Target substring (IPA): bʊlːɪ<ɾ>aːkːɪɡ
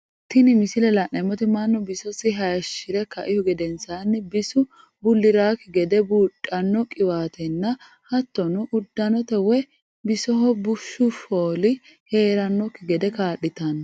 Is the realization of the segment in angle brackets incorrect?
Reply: no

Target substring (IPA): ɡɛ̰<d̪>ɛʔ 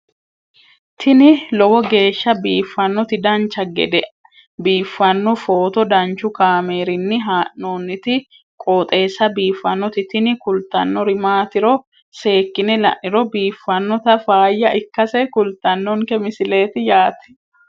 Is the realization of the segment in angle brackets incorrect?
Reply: no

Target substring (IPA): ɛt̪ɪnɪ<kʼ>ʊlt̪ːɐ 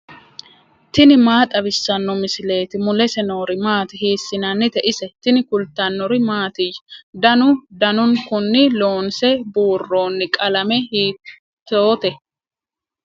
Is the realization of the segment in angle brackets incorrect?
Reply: yes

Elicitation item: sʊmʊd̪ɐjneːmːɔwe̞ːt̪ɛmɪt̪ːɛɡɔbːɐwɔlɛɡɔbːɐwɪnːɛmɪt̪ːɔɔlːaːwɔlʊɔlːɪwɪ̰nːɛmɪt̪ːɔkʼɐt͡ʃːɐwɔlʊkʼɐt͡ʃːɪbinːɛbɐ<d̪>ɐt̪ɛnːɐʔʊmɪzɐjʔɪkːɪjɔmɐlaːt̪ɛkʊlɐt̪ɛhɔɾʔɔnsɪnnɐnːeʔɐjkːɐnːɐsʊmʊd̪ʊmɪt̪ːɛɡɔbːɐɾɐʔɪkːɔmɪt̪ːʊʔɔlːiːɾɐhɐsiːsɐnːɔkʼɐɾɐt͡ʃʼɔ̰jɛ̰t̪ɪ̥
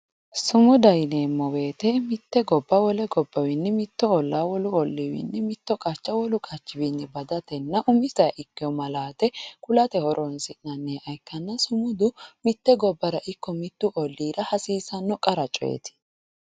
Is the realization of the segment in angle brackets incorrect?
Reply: no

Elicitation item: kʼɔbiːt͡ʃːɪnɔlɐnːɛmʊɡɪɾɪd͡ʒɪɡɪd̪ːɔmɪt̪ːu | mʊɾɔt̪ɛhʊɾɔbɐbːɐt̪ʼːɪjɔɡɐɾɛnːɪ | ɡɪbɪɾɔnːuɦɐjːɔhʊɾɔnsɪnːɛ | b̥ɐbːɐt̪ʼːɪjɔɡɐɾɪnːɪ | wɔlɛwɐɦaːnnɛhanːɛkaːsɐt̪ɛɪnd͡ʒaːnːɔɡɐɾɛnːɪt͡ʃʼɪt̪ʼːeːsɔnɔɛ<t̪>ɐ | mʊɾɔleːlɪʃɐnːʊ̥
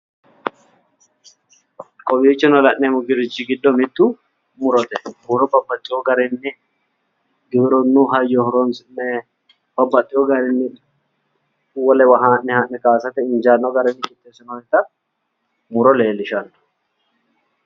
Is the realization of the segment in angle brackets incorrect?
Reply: no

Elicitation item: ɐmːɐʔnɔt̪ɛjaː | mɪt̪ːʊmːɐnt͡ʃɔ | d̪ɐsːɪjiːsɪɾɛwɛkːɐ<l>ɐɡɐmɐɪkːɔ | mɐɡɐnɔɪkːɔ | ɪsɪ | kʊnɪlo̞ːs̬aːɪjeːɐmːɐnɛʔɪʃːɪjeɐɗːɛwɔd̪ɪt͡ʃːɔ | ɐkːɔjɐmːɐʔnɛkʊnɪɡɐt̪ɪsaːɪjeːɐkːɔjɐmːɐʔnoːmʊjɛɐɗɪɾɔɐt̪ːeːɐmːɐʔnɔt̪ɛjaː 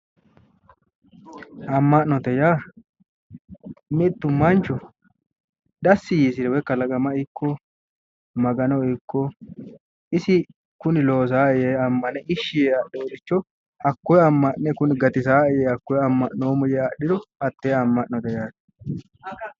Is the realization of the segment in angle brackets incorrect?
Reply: no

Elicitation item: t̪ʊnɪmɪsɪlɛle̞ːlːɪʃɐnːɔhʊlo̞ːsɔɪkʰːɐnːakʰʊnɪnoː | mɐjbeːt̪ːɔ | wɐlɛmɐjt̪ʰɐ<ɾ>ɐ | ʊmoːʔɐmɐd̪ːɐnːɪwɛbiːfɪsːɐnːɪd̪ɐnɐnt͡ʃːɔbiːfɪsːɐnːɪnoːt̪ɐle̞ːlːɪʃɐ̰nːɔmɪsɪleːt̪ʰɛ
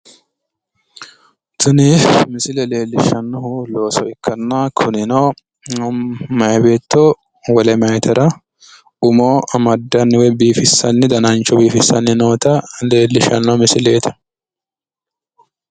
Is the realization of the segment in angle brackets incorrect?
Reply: no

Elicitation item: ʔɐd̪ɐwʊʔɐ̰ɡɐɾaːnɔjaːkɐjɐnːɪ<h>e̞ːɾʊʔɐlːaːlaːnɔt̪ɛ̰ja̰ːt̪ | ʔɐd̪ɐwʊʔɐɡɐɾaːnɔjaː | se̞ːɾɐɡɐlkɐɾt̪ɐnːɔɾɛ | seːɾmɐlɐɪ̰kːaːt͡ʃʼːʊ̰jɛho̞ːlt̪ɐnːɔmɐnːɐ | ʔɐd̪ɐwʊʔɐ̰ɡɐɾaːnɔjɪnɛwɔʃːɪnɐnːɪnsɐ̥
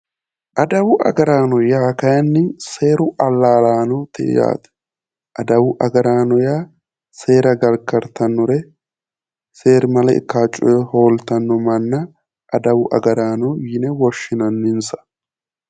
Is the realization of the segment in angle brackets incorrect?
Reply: yes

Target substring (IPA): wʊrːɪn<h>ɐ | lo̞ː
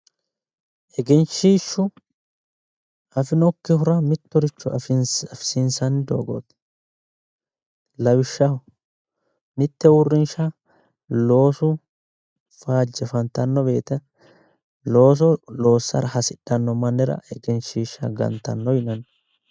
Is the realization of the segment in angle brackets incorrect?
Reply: yes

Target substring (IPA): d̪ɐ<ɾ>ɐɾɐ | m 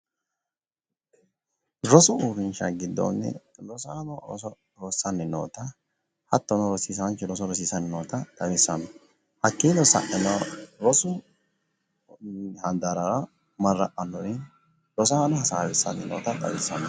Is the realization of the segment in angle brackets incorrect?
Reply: no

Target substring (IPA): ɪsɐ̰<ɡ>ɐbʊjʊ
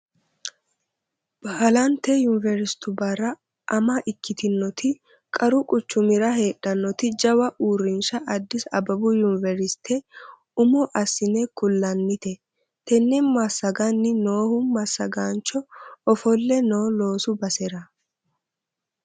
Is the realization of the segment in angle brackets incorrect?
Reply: yes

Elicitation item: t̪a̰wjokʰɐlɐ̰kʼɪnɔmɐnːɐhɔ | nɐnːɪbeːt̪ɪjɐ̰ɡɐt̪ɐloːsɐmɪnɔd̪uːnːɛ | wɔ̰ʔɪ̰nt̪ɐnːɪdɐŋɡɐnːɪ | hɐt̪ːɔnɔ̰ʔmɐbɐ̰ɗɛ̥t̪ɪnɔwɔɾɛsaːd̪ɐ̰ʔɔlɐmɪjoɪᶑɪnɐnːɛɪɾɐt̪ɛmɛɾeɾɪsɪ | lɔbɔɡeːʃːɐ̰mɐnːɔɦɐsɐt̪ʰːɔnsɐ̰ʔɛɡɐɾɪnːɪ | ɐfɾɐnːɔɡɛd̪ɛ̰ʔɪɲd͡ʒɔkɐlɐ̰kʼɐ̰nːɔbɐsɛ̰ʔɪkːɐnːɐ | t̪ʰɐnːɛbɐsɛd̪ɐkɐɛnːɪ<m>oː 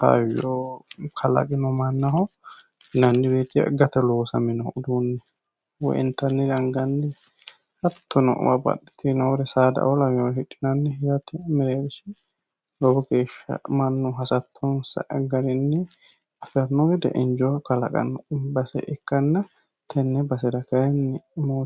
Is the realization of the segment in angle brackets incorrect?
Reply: no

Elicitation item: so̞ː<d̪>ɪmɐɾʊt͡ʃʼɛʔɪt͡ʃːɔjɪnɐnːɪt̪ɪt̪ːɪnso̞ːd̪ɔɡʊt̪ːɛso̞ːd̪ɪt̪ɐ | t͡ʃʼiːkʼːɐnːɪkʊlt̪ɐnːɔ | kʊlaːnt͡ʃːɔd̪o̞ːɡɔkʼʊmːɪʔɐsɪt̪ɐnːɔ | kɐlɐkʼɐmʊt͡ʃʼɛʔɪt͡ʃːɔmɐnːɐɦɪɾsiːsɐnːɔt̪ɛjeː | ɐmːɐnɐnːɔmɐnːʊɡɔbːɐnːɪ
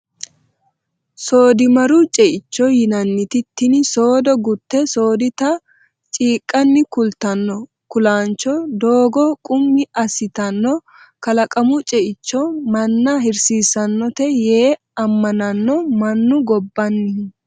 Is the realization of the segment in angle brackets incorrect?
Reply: no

